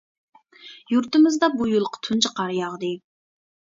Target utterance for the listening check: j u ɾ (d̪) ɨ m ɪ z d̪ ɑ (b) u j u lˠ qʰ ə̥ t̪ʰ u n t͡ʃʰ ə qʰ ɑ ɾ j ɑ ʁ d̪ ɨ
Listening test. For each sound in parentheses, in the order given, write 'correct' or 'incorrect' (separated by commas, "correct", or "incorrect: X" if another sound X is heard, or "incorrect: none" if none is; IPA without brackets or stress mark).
incorrect: t̪, correct